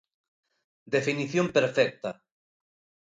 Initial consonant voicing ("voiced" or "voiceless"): voiced